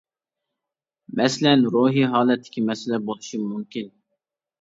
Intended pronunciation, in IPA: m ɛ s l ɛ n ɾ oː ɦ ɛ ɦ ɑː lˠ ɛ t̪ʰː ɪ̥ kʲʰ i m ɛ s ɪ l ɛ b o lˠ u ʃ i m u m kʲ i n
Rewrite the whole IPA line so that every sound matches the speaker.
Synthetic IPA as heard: m ɛ s l ɛ n ɾ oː ɦ i ɦ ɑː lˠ ɛ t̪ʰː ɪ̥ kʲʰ i m ɛ s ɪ l ɛ b o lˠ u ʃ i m u m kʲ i n